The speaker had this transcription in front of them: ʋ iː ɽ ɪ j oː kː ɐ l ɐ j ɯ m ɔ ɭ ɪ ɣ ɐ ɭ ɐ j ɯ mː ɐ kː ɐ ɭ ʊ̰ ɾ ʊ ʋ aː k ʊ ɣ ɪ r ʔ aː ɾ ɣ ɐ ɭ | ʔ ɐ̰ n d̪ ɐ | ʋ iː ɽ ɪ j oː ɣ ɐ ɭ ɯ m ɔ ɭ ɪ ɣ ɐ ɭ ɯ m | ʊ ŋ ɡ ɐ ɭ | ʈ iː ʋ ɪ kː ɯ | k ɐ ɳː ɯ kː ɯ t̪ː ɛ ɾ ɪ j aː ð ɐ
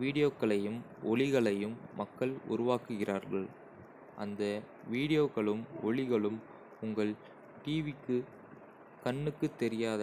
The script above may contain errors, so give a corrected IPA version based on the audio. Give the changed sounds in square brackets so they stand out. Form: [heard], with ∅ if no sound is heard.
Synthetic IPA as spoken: ʋ iː ɽ ɪ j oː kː ɐ [ɭ] ɐ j ɯ m ɔ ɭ ɪ ɣ ɐ ɭ ɐ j ɯ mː ɐ kː ɐ ɭ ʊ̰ ɾ ʊ ʋ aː k [ɯ] ɣ ɪ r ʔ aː ɾ ɣ ɐ ɭ | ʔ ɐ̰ n d̪ ɐ | ʋ iː ɽ ɪ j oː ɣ ɐ ɭ ɯ m ɔ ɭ ɪ ɣ ɐ ɭ ɯ m | ʊ ŋ ɡ ɐ ɭ | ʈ iː ʋ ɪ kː ɯ | k ɐ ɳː ɯ kː ɯ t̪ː ɛ ɾ ɪ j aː ð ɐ